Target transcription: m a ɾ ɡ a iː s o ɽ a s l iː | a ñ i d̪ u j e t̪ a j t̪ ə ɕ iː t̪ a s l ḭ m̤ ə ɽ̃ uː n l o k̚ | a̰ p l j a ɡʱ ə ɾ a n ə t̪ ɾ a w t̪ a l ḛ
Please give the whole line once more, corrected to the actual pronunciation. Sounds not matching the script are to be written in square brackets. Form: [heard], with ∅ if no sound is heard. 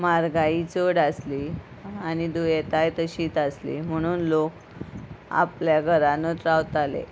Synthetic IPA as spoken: m a ɾ ɡ a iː [t͡s] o ɽ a s l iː | a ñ i d̪ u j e t̪ a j t̪ ə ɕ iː t̪ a s l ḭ m̤ ə ɽ̃ uː n l o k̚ | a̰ p l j a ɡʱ ə ɾ a n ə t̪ ɾ a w t̪ a l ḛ